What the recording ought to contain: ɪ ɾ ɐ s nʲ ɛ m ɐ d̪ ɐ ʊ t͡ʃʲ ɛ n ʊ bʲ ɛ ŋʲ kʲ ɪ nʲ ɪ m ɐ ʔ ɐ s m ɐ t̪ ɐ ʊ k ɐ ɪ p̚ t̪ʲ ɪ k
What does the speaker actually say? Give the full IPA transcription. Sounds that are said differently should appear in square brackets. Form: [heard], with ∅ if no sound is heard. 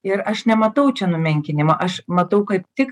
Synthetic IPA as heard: ɪ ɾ ɐ [ʃ] nʲ ɛ m ɐ [t̪] ɐ ʊ t͡ʃʲ ɛ n ʊ [mʲ] ɛ ŋʲ kʲ ɪ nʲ ɪ m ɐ ʔ ɐ [ʃ] m ɐ t̪ ɐ ʊ k ɐ ɪ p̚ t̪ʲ ɪ k